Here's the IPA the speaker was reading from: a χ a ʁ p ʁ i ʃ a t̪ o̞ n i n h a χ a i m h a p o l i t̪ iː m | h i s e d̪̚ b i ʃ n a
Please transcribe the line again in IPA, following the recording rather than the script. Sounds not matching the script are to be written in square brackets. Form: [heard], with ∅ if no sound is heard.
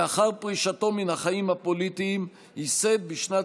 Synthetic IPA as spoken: a χ a ʁ p ʁ i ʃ a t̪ o̞ [m] i n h a χ a i m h a p o l i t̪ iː m | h i s e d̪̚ b i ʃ n a